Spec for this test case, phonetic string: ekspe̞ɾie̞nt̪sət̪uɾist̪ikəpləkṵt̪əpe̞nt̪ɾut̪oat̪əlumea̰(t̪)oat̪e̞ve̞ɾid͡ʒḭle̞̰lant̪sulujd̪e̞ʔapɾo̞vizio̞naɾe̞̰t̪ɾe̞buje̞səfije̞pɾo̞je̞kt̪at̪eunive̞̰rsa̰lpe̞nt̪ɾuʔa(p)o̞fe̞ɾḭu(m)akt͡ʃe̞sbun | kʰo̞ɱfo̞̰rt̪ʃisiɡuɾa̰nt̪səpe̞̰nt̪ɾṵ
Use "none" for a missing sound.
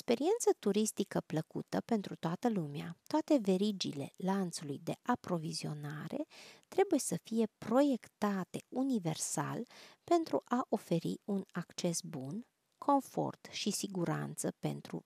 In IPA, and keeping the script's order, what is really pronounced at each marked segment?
t̪, ʔ, n

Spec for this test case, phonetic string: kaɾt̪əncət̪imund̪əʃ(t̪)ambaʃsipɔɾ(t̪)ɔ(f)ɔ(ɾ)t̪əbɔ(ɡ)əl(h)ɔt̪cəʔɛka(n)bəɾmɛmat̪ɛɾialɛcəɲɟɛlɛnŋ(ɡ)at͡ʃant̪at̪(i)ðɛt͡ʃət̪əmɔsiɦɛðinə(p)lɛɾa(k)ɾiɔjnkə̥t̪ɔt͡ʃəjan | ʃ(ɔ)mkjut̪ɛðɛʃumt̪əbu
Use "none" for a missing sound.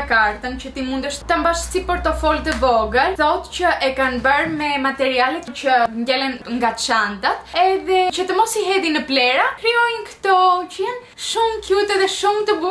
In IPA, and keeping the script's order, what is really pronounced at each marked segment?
t̪, t̪, f, l, ɡ, θ, n, ɡ, ɛ, p, k, u

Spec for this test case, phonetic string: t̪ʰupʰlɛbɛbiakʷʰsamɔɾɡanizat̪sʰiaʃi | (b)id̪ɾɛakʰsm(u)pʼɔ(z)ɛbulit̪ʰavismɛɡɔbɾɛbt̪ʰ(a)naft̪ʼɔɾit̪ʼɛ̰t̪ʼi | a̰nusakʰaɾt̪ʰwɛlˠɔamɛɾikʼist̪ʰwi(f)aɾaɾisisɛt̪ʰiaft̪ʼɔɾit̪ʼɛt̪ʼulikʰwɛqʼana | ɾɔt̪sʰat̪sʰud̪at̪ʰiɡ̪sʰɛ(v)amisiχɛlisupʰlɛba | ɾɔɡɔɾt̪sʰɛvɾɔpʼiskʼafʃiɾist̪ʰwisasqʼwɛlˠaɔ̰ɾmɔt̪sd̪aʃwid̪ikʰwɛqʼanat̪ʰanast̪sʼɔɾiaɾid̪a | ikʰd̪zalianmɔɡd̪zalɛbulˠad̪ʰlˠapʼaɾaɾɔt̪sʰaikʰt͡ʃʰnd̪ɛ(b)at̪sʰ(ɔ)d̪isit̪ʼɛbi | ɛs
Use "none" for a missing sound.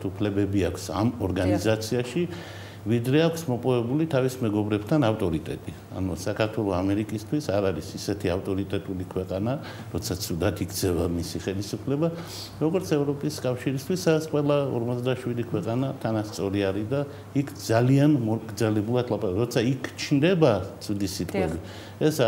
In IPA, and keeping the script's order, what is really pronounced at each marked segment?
v, ɔ, v, a, s, v, b, u

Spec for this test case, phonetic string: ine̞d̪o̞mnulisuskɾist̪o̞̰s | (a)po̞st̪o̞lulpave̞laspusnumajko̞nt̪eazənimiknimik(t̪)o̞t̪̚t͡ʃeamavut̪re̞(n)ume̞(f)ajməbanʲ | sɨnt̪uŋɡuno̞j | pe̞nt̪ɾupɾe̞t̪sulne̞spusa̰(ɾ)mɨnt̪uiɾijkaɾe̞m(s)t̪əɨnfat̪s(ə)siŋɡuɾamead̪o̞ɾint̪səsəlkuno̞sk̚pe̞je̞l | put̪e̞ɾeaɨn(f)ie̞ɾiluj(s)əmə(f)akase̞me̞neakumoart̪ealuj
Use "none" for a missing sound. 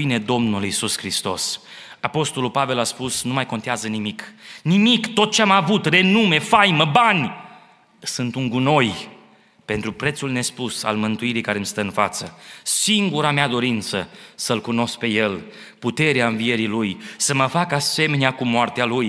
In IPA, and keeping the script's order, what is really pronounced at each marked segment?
a, t̪, n, f, l, s, ə, v, s, f

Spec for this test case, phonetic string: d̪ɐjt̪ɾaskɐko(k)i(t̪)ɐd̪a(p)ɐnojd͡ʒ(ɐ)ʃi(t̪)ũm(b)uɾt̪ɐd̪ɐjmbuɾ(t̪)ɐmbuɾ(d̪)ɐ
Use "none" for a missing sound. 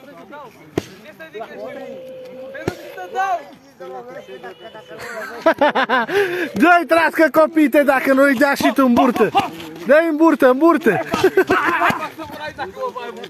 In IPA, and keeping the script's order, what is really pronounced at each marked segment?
p, t̪, k, a, t̪, b, t̪, t̪

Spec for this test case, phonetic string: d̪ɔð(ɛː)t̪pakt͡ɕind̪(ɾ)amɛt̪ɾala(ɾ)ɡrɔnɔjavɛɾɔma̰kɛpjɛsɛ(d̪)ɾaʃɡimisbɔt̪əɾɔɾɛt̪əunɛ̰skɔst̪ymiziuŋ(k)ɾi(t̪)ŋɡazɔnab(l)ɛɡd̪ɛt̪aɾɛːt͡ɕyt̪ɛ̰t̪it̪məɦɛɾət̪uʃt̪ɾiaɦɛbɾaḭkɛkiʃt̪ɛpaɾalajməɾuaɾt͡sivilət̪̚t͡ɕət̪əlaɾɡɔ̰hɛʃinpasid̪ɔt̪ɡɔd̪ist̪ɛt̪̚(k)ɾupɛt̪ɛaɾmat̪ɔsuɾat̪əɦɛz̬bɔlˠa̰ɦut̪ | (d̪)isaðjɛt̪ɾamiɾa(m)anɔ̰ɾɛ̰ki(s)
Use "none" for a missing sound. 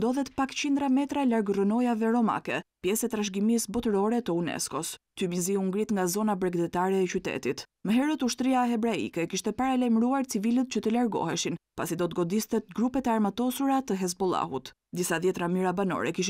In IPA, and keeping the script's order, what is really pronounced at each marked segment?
ɛ, ɾ, ɾ, t̪, ɡ, t̪, ɾ, ɡ, d̪, b, ʃ

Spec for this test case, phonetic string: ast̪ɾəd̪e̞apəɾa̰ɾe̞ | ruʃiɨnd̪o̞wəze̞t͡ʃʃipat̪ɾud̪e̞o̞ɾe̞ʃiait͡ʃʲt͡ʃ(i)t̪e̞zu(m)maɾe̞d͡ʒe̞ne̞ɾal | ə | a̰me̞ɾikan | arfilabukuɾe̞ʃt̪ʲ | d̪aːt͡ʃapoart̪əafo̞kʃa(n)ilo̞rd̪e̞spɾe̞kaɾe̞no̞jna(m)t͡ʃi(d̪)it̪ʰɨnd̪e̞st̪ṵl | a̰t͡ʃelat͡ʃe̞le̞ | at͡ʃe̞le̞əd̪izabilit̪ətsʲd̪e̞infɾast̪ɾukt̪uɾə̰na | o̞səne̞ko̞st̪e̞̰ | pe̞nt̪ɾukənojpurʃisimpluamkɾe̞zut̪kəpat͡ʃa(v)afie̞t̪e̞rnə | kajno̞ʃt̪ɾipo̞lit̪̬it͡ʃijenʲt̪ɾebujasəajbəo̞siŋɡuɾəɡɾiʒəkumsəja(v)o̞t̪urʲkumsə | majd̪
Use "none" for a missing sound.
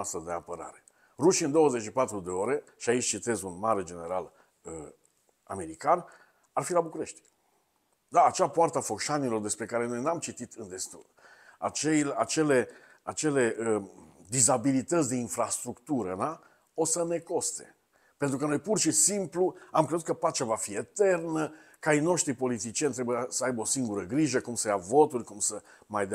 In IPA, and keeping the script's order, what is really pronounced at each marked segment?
i, n, n, m, t̪, v, v

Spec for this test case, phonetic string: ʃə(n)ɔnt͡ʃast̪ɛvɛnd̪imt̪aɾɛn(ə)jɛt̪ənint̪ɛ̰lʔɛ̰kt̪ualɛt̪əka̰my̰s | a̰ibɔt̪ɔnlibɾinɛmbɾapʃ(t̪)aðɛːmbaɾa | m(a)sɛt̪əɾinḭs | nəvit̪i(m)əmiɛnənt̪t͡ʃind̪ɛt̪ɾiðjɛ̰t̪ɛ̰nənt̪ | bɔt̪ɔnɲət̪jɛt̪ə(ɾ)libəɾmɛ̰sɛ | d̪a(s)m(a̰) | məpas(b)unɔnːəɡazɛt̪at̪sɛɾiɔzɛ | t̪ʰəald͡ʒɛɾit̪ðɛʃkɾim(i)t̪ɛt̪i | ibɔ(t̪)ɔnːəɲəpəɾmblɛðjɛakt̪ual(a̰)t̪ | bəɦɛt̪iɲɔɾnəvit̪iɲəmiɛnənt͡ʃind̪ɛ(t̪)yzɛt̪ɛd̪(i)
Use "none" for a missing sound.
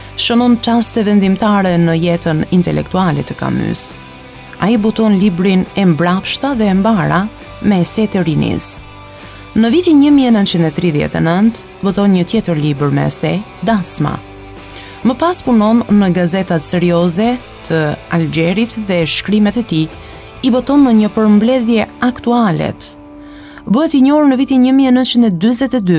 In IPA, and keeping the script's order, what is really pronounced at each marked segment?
n, ə, t̪, ɛ, ɲ, ɾ, s, a̰, p, ɛ, t̪, ɛ̰, d̪, y

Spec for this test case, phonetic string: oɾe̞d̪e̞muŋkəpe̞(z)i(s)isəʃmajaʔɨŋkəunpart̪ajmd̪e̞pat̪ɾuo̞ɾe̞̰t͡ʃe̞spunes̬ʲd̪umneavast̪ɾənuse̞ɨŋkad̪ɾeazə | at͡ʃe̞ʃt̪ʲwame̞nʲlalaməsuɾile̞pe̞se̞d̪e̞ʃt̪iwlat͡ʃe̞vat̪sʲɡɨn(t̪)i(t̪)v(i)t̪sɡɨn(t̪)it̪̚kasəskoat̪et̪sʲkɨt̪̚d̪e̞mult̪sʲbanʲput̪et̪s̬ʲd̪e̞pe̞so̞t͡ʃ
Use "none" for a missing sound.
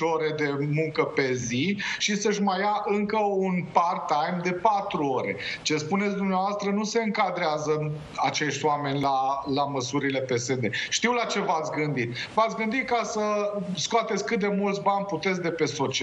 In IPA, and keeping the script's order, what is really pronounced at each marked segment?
z, ʃ, d̪, t̪, a, d̪

